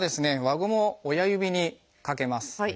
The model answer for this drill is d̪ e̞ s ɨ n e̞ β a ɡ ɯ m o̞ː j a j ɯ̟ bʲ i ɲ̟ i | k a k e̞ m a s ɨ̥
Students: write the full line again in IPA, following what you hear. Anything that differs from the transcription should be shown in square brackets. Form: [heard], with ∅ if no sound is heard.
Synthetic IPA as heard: d̪ e̞ s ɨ n e̞ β a ɡ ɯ m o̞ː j a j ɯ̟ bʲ i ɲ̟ i | k a k e̞ m a s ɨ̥